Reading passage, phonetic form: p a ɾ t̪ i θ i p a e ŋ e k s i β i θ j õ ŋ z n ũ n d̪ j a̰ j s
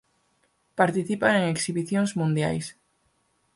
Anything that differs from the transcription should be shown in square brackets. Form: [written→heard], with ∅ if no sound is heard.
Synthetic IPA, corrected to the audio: p a ɾ t̪ i θ i p a e ŋ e k s i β i θ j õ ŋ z [n→m] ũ n d̪ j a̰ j s